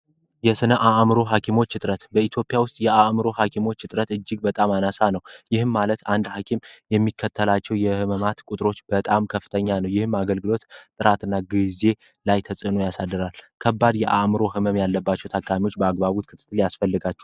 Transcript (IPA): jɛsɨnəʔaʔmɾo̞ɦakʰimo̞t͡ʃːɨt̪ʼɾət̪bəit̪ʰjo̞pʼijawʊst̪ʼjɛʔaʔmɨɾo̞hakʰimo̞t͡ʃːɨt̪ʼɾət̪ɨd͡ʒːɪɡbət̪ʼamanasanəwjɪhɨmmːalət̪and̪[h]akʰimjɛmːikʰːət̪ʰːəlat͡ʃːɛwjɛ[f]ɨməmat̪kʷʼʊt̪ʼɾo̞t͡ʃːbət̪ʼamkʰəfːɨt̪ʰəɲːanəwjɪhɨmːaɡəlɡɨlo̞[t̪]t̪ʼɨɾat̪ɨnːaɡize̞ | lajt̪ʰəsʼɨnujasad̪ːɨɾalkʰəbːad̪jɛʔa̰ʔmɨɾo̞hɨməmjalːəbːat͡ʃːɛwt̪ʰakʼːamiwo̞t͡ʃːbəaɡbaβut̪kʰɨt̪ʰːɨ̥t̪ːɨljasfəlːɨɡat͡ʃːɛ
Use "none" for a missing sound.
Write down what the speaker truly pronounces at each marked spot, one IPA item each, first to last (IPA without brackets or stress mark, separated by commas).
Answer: h, h, t̪